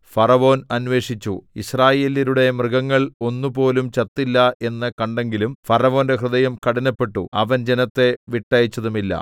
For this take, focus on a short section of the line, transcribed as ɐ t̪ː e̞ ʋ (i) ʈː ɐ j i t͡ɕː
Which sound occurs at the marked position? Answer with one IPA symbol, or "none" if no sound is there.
i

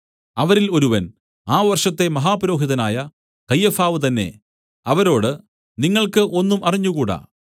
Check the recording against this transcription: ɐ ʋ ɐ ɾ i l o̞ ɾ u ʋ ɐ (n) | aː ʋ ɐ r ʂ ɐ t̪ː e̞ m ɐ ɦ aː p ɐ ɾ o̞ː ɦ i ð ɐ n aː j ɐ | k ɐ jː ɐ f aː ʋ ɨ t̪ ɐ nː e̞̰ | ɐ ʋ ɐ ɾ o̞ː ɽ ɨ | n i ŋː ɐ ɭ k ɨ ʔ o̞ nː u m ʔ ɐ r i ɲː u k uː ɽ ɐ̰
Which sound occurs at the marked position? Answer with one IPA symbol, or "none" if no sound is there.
n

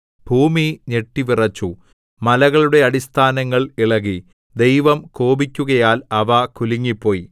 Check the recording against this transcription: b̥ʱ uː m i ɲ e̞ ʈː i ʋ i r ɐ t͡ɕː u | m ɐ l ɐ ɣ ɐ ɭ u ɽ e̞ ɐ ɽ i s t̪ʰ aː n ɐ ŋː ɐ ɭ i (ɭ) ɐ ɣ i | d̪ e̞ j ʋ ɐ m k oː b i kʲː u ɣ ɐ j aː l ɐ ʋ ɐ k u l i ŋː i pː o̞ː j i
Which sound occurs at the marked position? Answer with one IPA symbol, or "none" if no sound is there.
ɭ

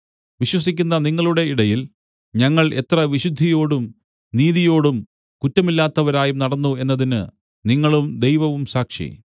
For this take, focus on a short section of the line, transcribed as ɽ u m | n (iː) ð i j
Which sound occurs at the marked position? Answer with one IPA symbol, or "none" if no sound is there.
iː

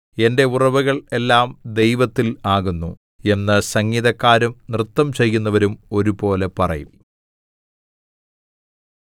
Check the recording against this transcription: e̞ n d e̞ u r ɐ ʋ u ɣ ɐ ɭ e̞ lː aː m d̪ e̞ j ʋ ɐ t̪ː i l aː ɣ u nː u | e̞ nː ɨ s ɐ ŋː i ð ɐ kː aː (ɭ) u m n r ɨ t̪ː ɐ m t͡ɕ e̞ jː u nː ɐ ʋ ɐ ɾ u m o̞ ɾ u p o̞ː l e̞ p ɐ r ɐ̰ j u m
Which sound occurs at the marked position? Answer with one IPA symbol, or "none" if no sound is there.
ɾ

